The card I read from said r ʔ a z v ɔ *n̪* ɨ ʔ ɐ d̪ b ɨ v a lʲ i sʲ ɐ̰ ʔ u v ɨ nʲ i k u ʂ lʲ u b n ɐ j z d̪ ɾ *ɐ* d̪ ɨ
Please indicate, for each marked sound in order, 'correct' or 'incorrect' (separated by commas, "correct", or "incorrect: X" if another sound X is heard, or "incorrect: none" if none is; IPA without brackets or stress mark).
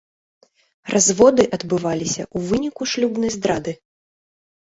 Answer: incorrect: d̪, incorrect: a